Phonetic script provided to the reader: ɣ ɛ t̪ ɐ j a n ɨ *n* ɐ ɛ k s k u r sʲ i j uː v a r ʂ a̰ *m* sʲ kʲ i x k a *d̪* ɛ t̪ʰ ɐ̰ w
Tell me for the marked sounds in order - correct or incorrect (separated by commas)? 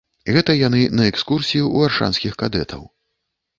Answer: correct, incorrect, correct